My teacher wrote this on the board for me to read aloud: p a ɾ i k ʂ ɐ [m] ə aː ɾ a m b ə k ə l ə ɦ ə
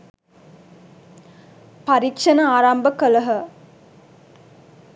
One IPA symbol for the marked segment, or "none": n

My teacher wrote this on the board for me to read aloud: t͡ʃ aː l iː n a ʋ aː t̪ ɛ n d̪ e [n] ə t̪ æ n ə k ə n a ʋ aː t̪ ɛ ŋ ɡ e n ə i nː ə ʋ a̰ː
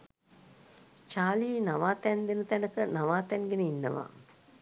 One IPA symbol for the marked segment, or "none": n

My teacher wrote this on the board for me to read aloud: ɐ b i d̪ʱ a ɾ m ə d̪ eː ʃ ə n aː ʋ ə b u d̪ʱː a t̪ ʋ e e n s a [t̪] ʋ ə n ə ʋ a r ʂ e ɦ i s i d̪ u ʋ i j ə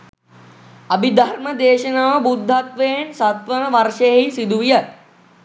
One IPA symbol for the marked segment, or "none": t̪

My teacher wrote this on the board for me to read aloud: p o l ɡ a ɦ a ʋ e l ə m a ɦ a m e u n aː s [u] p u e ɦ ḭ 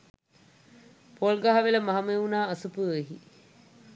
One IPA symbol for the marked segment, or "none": u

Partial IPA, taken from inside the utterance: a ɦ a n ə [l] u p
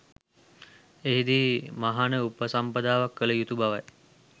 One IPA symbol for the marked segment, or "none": none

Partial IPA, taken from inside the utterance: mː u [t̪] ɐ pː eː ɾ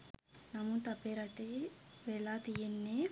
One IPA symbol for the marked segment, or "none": t̪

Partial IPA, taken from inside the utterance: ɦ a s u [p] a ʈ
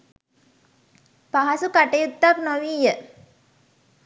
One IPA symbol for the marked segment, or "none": k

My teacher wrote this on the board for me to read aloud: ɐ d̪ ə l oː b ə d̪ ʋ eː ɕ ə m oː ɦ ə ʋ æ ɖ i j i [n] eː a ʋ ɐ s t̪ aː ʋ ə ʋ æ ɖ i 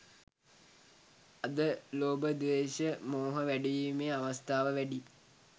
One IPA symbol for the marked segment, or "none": m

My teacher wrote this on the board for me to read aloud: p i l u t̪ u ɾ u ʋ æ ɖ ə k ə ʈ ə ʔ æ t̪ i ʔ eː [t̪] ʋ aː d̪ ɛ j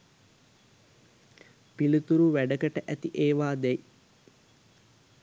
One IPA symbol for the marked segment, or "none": none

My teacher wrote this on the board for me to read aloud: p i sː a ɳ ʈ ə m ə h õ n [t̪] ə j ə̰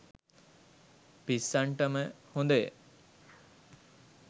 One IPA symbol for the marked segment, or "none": d̪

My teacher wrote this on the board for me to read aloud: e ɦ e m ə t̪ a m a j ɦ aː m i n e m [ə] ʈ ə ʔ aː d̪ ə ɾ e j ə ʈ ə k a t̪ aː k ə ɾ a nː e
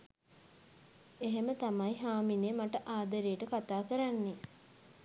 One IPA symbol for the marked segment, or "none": a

